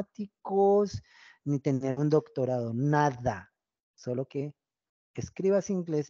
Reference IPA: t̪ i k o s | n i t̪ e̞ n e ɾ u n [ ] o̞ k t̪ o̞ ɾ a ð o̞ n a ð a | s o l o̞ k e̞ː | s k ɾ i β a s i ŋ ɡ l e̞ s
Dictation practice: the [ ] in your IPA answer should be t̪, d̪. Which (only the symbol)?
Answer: d̪